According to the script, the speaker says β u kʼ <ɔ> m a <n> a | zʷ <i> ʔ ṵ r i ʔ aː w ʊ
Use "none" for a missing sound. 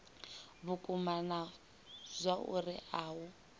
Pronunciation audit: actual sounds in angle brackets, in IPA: u, n, a

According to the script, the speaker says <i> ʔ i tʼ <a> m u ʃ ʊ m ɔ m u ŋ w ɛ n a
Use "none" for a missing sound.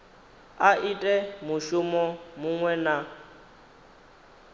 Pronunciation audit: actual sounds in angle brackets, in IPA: a, ɛ

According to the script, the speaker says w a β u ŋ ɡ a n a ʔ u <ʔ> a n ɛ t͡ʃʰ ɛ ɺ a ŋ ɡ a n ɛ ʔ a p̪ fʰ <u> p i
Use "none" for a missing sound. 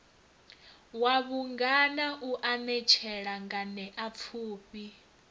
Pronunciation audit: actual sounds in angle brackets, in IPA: ʔ, uː

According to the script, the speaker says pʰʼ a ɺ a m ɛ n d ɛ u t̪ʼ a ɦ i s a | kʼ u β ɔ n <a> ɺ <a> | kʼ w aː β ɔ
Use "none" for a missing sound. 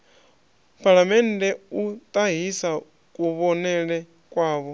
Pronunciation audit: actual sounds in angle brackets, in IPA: ɛ, ɛ

